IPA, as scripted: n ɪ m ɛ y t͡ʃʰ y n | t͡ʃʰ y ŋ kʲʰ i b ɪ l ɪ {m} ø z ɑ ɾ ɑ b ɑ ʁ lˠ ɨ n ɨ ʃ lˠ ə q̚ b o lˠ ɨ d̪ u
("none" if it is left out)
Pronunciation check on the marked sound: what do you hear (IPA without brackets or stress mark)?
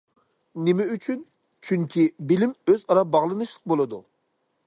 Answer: m